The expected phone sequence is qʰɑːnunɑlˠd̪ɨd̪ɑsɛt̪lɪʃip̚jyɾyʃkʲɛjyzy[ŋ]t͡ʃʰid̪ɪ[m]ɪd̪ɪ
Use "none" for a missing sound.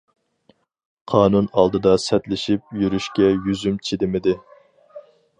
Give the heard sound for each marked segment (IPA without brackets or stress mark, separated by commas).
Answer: m, m